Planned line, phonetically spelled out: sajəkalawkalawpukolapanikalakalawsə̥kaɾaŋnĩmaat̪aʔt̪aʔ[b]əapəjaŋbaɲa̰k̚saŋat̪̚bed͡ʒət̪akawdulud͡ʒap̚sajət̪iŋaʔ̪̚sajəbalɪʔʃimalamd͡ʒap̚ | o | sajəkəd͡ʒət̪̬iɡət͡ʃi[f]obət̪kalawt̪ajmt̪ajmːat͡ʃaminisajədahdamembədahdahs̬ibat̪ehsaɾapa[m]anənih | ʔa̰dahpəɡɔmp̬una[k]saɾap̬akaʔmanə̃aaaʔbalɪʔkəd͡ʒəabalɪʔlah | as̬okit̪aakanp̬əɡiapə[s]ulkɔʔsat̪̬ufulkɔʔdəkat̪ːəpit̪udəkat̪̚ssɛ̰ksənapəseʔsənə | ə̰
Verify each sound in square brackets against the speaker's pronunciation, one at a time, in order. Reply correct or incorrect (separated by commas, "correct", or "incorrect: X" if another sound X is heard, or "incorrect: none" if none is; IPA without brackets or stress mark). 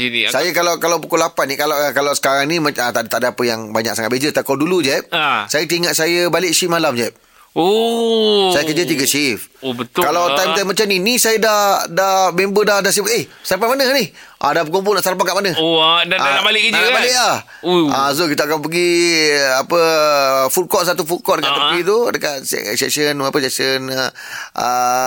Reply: incorrect: d, correct, correct, incorrect: ʔ, incorrect: f